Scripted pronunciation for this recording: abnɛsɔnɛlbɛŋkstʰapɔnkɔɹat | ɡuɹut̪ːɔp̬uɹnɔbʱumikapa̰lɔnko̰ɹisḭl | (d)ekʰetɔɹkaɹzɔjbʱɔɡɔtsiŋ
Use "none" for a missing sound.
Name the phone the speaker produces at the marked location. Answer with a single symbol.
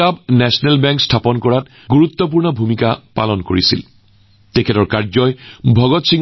t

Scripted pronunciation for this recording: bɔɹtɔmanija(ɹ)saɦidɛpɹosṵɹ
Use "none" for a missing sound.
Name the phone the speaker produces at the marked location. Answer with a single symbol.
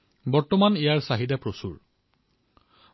ɹ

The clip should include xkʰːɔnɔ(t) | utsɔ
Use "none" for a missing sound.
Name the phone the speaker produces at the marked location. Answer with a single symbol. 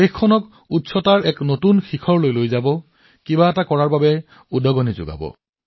k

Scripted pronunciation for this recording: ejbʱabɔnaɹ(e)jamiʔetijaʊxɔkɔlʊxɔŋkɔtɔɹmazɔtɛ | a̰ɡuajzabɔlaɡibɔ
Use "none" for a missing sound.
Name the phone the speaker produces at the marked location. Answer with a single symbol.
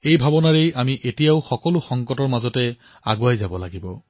e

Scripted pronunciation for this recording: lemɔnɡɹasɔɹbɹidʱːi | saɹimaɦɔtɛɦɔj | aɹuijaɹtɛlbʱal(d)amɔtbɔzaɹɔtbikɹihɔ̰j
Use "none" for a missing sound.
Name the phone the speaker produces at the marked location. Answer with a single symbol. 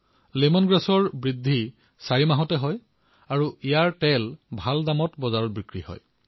d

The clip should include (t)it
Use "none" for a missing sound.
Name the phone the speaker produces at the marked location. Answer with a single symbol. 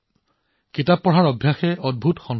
k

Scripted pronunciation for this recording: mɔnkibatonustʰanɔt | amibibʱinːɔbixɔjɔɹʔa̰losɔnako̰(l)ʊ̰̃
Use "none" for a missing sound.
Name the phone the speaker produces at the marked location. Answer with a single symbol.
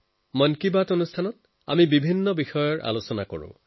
ɹ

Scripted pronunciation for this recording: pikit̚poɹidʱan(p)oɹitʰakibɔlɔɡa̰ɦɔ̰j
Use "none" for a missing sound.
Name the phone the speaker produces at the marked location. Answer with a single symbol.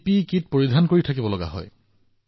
k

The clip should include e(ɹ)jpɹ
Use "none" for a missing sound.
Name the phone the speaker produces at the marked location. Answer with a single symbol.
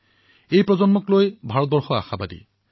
none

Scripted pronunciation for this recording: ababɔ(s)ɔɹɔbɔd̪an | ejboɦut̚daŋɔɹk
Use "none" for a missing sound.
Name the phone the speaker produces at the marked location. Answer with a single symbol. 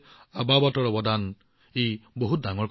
t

